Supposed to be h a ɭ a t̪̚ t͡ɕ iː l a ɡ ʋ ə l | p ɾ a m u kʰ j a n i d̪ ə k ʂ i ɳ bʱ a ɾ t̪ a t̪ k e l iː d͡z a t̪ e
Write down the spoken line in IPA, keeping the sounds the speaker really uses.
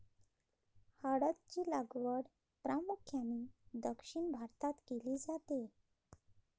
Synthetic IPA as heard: h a ɽ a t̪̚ t͡ɕ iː l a ɡ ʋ ə ɽ | p ɾ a m u kʰ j a n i d̪ ə k ʂ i ɳ bʱ a ɾ t̪ a t̪ k e l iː d͡z a t̪ e